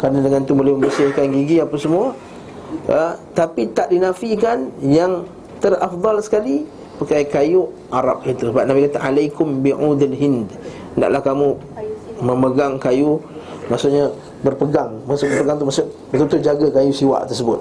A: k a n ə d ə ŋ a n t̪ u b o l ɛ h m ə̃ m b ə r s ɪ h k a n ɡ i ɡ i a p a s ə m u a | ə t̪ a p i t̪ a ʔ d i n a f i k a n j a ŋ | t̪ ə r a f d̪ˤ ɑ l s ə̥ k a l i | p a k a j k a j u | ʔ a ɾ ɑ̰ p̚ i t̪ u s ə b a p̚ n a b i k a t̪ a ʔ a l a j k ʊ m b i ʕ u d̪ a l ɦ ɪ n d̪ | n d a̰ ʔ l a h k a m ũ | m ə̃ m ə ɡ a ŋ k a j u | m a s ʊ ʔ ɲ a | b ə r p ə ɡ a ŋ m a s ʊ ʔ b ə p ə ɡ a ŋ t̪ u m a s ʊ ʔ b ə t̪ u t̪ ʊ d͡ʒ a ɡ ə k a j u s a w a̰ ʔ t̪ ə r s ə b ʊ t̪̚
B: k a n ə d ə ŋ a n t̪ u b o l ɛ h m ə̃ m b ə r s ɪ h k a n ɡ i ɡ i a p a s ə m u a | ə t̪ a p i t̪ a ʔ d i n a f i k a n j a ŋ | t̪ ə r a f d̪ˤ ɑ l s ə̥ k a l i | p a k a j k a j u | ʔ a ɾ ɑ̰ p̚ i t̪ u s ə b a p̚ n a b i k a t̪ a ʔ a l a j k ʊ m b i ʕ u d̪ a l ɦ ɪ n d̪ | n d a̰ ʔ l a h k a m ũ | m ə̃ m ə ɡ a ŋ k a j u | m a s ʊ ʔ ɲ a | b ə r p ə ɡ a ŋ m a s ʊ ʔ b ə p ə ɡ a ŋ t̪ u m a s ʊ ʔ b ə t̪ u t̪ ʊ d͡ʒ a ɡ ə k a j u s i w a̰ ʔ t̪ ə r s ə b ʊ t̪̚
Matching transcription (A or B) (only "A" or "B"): B